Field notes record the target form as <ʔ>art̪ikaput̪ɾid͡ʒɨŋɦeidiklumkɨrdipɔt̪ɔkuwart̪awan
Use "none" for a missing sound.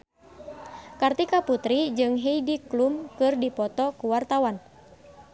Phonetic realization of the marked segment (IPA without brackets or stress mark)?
k